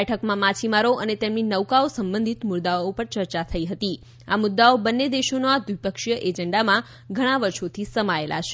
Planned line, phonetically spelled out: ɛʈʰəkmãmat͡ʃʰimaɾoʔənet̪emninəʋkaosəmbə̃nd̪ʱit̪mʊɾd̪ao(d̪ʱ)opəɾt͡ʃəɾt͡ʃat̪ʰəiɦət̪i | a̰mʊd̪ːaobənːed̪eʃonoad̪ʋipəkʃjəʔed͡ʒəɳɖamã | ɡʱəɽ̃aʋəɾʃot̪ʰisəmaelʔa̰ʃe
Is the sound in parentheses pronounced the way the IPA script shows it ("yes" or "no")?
no